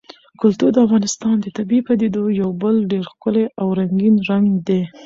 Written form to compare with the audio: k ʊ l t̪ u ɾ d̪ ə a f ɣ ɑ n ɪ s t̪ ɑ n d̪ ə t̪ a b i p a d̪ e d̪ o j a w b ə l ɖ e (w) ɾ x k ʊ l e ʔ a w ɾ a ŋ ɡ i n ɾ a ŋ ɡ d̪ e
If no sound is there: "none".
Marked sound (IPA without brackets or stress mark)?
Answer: none